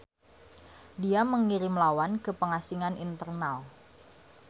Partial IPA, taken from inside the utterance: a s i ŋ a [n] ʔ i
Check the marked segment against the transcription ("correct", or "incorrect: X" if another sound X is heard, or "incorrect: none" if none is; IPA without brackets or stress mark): correct